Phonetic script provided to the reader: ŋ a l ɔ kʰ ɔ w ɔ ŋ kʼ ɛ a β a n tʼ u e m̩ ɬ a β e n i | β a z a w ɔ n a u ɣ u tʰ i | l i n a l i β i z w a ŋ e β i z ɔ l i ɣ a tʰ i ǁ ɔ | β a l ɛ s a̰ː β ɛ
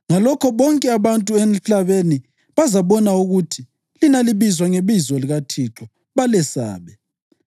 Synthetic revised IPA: ŋ a l ɔ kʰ ɔ β ɔ ŋ kʼ ɛ a β a n tʼ u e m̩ ɬ a β e n i | β a z a β ɔ n a u ɣ u tʰ i | l i n a l i β i z w a ŋ e β i z ɔ l i ɣ a tʰ i ǁ ɔ | β a l ɛ s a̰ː β ɛ